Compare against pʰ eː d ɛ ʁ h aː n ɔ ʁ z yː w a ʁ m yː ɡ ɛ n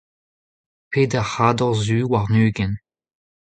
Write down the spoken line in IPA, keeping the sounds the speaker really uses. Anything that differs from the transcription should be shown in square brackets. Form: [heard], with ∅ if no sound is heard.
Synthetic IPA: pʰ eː d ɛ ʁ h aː [d] ɔ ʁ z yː w a ʁ [n] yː ɡ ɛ n